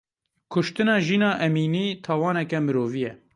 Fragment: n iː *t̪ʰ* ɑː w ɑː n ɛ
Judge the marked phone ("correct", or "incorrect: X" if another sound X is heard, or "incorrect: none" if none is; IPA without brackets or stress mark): correct